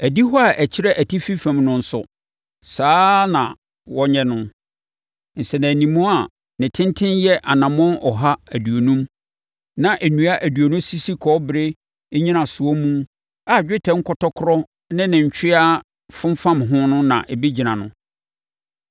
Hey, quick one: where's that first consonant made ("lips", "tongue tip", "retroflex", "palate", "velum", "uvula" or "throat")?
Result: tongue tip